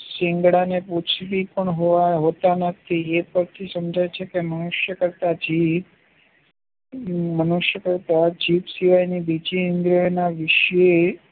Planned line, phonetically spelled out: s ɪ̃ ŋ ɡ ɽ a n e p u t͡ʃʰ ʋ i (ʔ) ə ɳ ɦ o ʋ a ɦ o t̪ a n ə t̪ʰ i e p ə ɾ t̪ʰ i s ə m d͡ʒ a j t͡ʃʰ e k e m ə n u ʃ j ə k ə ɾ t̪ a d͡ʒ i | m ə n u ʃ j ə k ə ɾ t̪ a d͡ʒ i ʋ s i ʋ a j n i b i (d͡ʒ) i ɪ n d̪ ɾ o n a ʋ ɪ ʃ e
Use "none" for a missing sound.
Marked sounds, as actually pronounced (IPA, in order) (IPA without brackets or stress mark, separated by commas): p, d͡ʒ